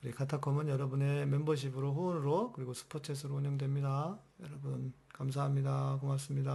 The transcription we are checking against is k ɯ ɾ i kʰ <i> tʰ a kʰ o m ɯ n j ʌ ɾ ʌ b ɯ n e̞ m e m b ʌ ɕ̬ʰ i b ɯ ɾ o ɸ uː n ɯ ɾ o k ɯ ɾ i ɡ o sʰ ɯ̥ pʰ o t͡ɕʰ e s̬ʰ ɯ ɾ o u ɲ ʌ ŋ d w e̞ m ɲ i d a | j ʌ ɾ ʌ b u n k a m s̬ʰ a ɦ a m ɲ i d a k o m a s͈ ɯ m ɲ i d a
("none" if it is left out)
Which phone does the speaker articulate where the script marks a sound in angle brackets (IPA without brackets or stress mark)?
a